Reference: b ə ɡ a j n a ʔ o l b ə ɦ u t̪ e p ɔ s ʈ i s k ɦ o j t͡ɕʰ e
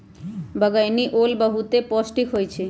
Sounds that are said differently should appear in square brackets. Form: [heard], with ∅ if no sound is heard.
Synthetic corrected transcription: b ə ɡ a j n [i] ʔ o l b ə ɦ u t̪ e p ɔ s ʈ i [∅] k ɦ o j t͡ɕʰ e